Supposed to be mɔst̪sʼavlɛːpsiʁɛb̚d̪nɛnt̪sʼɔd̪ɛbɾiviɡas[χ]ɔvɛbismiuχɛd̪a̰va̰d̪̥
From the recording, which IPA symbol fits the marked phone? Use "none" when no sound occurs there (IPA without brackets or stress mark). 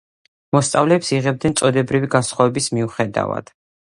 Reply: χ